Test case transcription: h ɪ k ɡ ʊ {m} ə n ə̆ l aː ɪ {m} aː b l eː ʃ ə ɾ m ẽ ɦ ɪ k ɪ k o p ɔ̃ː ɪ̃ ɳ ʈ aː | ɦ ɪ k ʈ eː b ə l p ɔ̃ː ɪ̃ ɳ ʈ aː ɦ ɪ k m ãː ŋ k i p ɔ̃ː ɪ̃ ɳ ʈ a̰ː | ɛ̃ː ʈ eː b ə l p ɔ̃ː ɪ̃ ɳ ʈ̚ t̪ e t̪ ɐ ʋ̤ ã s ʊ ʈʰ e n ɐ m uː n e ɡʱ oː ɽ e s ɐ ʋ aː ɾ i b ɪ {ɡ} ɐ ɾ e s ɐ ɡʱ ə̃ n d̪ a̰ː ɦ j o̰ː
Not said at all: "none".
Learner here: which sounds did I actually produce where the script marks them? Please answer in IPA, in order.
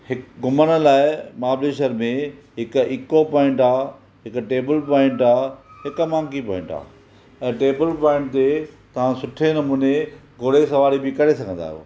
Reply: m, m, k

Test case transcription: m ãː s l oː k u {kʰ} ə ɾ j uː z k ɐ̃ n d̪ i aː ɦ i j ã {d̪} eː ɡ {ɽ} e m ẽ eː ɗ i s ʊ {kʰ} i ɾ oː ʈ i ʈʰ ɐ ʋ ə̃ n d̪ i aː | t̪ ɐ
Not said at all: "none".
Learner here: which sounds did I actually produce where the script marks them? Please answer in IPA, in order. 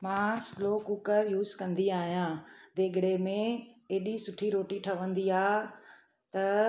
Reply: k, d̪, ɽ, ʈʰ

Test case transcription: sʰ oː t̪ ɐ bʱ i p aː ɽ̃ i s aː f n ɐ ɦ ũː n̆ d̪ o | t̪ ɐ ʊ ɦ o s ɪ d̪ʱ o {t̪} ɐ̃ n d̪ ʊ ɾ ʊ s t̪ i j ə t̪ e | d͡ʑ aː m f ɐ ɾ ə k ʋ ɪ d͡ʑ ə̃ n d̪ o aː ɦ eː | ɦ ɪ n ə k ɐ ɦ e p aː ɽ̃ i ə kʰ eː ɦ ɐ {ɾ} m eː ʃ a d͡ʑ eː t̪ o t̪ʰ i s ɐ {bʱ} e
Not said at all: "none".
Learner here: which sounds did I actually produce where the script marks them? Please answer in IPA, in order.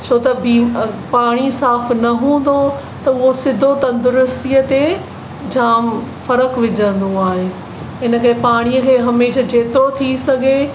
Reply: t̪, none, ɡʱ

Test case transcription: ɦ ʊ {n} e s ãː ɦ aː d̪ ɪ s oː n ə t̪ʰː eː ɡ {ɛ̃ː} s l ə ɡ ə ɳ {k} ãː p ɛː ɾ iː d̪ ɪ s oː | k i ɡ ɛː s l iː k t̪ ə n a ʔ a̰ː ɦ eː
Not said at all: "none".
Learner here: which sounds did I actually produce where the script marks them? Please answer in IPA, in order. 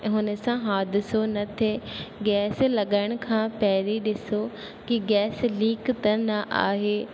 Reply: n, ɛː, kʰ

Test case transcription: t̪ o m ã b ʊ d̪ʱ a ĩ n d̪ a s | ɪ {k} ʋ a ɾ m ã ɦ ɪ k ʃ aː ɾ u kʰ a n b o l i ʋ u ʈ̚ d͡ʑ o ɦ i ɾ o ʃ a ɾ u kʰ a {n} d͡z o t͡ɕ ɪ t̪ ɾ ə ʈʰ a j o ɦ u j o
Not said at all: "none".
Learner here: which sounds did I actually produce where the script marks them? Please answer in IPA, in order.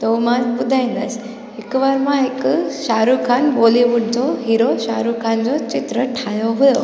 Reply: k, n

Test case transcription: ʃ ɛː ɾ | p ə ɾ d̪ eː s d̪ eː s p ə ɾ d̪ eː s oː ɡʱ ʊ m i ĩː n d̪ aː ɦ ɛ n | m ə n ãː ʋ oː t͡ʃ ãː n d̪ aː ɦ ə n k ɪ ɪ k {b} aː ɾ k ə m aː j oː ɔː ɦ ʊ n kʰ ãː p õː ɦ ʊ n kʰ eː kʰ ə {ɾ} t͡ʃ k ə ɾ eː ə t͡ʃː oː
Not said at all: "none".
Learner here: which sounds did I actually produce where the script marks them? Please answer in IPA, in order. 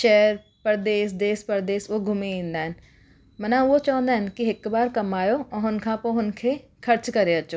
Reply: b, ɾ

